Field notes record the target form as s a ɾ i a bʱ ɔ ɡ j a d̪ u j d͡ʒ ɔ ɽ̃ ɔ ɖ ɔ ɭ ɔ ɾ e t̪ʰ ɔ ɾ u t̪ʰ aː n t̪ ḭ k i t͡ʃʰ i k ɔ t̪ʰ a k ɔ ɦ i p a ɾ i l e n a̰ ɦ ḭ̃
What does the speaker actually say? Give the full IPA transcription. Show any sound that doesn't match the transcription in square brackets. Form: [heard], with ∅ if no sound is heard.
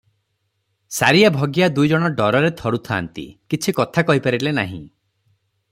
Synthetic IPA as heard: s a ɾ i a bʱ ɔ ɡ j a d̪ u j d͡ʒ ɔ ɽ̃ ɔ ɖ ɔ [ɾ] ɔ ɾ e t̪ʰ ɔ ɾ u t̪ʰ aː n t̪ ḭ k i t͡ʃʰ i k ɔ t̪ʰ a k ɔ ɦ i p a ɾ i l e n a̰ ɦ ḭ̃